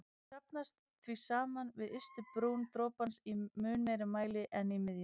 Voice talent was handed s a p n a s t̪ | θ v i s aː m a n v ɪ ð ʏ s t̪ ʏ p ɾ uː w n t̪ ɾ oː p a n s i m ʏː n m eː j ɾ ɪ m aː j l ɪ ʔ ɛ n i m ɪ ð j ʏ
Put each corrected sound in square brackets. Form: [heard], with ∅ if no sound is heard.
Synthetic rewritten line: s a p n a s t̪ | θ v i s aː m a n v ɪ ð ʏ s t̪ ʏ p ɾ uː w n t̪ ɾ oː p a n s i m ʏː n m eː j ɾ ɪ m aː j l ɪ ʔ ɛ n i m ɪ ð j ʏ